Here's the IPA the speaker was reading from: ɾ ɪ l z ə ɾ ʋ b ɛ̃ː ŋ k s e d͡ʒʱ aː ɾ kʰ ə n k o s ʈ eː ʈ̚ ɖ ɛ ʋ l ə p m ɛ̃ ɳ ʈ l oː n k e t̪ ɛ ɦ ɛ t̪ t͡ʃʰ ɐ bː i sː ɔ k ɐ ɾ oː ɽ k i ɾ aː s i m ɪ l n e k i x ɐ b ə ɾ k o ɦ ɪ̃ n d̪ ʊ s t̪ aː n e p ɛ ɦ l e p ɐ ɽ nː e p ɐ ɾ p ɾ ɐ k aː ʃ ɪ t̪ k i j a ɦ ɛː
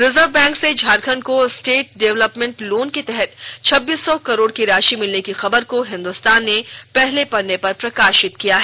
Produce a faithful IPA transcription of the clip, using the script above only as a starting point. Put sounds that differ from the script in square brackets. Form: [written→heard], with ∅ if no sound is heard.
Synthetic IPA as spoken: ɾ ɪ [l→∅] z ə ɾ ʋ b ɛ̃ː ŋ k s e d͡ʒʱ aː ɾ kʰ ə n k o s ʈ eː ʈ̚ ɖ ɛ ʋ l ə p m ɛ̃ ɳ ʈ l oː n k e t̪ ɛ ɦ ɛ t̪ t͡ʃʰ ɐ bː [i→iː] sː ɔ k ɐ ɾ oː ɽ k i ɾ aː [s→ʃ] i m ɪ l n e k i x ɐ b ə ɾ k o ɦ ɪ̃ n d̪ ʊ s t̪ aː [n→nː] e p ɛ ɦ l e p ɐ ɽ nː e p ɐ ɾ p ɾ ɐ k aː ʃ ɪ t̪ k i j a ɦ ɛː